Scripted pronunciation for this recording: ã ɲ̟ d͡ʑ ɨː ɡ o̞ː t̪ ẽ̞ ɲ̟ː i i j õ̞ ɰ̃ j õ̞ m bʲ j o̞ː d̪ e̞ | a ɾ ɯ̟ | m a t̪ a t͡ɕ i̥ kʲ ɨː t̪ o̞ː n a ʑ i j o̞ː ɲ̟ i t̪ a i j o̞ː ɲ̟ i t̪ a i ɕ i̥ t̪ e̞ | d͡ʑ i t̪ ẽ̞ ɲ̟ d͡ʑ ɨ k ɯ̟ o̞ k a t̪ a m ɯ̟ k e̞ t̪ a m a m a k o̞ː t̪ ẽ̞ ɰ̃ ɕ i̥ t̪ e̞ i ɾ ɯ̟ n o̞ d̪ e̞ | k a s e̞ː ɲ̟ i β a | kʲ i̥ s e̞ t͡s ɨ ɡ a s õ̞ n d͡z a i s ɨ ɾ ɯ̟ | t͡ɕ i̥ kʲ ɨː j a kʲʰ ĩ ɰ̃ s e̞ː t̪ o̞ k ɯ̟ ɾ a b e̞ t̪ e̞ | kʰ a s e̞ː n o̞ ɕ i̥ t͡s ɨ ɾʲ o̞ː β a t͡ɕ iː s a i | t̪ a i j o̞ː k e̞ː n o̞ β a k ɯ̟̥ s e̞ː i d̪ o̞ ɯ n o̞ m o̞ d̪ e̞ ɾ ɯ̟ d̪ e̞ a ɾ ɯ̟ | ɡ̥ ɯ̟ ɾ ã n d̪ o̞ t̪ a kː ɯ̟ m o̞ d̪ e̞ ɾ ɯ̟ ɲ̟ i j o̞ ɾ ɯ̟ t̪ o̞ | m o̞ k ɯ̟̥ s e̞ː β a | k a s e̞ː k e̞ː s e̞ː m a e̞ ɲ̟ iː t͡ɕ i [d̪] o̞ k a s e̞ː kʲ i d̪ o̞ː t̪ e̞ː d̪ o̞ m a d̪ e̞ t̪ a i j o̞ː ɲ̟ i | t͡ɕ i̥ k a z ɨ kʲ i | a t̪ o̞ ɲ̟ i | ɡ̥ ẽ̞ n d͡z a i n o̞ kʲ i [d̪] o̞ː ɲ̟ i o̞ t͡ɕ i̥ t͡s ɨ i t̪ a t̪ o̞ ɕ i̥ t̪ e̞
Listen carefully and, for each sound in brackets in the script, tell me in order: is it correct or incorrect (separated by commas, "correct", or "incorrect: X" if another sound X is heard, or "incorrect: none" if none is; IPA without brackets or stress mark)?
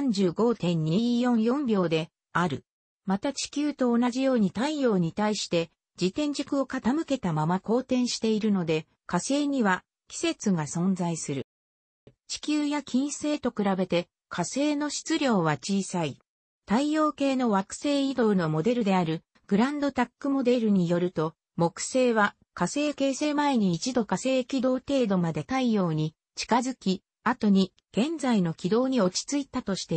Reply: correct, correct